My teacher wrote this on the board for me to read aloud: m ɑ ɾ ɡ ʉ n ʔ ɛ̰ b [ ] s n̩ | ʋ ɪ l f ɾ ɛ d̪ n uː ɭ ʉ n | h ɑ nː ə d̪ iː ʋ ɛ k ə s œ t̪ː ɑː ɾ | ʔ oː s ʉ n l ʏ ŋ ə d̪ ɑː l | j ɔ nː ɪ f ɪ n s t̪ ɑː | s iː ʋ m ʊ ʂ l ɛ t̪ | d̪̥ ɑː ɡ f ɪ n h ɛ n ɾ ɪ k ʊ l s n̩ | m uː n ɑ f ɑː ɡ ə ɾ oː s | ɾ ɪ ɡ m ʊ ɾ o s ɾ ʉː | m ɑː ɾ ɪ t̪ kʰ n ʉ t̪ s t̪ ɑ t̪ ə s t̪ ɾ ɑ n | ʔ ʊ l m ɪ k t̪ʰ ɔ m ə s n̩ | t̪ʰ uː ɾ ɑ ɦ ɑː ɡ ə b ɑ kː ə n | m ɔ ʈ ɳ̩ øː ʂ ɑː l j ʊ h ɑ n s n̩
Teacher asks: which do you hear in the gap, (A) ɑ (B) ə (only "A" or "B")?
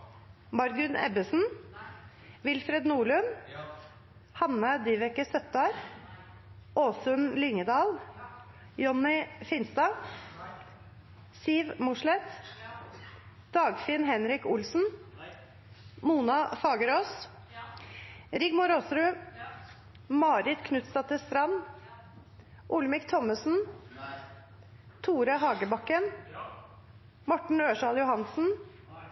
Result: B